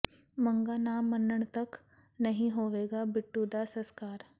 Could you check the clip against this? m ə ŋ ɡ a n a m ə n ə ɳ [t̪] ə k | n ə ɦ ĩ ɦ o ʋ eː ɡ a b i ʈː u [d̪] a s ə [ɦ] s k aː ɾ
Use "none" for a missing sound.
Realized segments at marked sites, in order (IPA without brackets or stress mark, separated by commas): t̪, d̪, none